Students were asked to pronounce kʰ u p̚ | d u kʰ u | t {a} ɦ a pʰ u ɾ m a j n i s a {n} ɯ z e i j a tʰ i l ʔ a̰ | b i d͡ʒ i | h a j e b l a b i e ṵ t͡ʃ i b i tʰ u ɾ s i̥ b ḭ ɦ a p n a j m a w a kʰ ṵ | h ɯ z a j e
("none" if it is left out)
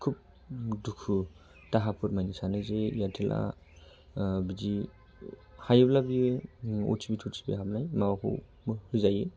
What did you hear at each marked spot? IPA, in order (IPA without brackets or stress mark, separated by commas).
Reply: a, n